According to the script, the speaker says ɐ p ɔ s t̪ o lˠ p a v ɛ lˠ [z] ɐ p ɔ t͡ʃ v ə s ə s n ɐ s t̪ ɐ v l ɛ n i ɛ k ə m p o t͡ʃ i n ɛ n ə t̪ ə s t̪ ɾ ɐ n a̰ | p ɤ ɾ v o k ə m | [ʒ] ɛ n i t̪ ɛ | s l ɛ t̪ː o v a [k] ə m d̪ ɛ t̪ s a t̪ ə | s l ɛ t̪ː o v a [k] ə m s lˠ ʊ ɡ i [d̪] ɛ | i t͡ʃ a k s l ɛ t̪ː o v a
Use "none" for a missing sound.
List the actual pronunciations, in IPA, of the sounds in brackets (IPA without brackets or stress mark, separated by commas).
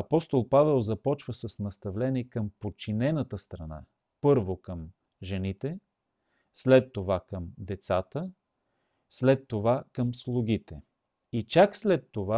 z, ʒ, k, k, t̪